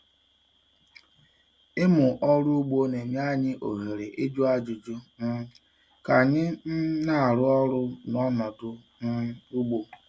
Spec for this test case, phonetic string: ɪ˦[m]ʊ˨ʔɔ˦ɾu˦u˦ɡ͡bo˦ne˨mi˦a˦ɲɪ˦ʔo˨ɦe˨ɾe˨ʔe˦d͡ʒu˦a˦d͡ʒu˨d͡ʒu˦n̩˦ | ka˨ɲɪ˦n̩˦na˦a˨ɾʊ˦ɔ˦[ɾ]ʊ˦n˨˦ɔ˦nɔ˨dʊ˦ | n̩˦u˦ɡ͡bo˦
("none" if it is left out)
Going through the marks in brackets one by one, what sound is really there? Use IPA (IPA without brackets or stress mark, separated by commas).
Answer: m, ɾ